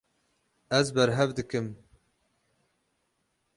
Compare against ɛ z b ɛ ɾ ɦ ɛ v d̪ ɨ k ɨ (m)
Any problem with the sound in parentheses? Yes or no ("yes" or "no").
no